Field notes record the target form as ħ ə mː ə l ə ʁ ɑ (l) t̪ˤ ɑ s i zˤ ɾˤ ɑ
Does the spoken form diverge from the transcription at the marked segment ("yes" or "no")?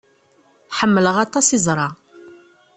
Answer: yes